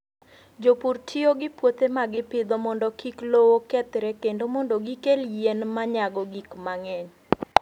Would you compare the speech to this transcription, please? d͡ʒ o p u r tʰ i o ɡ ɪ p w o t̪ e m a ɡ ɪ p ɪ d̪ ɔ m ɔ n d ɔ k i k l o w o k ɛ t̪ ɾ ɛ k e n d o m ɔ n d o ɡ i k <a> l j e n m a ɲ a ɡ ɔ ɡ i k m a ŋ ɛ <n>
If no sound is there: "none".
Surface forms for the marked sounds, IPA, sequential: e, ɲ

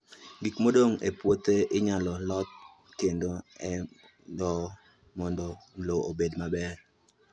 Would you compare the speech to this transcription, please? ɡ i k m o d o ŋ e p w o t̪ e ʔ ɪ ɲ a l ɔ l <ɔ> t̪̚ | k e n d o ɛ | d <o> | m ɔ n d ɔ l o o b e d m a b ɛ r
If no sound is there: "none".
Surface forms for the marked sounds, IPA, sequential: ɔ, ɔ

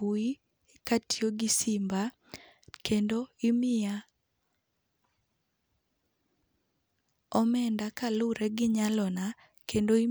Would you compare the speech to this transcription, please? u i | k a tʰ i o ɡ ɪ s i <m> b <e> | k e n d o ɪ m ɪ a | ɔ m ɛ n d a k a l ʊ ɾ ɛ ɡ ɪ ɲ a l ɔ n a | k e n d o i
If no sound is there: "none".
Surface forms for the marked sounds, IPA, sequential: m, a

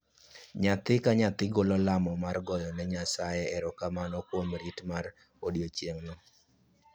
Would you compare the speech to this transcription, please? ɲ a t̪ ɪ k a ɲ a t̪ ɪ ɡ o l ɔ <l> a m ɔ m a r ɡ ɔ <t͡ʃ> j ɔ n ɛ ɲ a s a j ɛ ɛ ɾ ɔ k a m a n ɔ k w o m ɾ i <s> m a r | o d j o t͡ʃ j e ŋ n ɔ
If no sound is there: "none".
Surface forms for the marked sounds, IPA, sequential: l, none, t

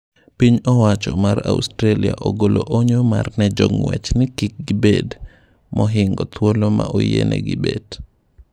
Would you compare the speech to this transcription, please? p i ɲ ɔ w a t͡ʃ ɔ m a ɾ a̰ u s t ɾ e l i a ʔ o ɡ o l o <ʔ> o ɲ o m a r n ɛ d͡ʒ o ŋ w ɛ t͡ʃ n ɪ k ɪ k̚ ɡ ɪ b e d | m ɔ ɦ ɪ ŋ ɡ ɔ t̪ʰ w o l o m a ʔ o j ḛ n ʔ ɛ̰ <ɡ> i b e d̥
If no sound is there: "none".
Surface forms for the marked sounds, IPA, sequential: ʔ, ɡ

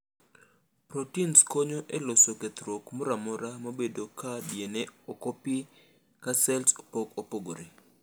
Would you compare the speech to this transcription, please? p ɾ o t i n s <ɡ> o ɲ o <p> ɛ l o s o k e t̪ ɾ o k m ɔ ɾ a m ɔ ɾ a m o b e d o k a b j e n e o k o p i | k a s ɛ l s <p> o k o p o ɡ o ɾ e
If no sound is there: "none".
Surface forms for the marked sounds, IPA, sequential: k, ʔ, p

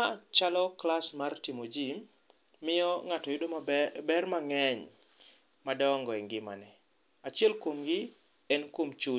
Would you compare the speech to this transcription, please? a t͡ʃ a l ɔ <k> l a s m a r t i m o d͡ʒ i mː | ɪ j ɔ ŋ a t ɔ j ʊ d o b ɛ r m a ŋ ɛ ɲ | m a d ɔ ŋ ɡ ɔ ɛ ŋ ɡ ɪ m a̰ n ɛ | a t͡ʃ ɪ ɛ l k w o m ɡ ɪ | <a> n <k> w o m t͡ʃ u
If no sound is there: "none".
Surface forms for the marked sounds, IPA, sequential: k, ɛ, k

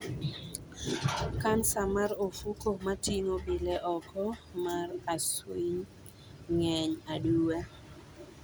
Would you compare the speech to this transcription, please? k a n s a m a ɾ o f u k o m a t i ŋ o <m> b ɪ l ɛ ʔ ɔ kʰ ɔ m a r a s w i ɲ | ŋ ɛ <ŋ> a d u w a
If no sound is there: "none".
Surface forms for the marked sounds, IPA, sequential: none, ɲ

